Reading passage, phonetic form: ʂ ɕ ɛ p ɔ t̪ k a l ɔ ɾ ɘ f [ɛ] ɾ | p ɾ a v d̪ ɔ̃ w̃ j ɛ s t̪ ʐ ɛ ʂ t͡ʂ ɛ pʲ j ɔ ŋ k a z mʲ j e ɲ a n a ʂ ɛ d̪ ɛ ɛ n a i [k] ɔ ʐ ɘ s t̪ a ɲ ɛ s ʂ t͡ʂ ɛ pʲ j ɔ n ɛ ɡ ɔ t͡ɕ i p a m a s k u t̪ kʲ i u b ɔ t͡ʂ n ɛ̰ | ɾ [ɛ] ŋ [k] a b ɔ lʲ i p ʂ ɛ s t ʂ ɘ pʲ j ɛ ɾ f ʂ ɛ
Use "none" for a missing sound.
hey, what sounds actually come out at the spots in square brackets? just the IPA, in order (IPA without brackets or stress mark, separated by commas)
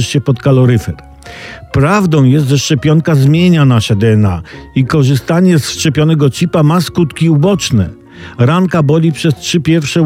ɛ, k, a, k